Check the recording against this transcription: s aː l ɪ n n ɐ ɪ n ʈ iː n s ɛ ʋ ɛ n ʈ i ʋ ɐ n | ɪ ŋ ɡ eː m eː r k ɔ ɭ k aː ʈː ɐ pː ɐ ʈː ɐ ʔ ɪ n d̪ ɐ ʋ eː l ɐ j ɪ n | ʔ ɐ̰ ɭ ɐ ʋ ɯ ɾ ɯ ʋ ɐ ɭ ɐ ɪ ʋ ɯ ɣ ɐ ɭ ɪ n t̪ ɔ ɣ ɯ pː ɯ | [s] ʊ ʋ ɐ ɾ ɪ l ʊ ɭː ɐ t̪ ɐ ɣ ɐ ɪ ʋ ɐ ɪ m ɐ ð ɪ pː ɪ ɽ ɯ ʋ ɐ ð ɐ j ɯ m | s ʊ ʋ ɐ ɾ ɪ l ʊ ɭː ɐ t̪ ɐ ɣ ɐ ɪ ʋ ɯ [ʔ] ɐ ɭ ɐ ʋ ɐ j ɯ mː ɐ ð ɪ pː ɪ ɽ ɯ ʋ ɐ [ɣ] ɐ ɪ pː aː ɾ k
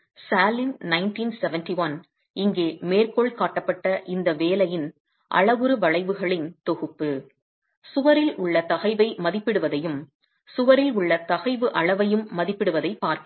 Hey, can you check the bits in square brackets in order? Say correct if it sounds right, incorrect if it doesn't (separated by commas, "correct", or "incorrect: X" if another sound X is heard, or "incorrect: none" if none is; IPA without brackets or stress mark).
correct, correct, incorrect: ð